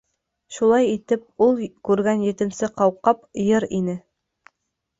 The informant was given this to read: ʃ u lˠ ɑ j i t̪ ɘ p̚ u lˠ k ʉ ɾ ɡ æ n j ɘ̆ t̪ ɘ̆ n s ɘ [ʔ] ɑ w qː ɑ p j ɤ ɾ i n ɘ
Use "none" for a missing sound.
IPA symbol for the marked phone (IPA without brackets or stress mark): q